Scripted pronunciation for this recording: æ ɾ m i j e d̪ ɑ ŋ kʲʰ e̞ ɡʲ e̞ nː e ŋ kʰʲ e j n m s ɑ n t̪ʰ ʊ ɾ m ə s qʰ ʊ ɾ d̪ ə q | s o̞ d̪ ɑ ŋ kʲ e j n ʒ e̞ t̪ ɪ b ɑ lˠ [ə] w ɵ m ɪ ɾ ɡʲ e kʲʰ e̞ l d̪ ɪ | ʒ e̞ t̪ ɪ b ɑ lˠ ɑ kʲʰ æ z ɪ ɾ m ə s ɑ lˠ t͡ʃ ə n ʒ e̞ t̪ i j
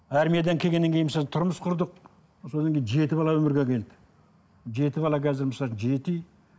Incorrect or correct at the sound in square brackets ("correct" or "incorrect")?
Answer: incorrect